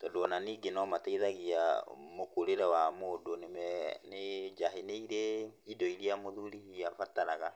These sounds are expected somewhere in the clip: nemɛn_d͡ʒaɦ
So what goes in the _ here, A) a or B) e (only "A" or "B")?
B